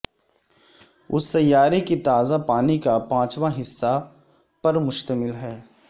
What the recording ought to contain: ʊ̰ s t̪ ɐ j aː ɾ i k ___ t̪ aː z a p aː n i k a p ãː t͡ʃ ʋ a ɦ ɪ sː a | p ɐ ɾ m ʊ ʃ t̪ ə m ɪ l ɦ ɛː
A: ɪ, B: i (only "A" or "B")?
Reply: B